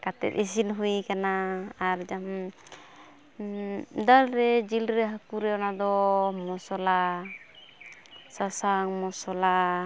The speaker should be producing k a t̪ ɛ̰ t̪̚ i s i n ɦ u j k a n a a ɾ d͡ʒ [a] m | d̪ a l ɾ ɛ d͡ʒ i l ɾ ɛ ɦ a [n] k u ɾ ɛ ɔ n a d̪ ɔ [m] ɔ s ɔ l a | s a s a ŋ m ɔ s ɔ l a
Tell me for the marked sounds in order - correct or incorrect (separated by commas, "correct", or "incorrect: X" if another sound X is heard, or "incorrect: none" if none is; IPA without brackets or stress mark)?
correct, incorrect: none, correct